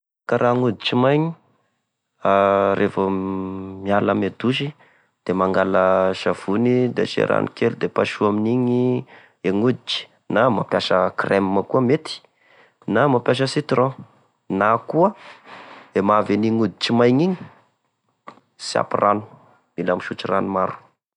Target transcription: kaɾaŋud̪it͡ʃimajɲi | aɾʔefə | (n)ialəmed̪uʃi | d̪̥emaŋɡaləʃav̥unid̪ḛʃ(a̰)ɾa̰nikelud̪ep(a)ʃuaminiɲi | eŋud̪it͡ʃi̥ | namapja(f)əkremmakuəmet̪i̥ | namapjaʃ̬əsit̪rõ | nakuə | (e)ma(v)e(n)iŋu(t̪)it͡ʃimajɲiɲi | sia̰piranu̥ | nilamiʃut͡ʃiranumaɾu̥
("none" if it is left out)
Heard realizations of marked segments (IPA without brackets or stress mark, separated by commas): m, ḛ, a, ʃ, e, v, n, d̪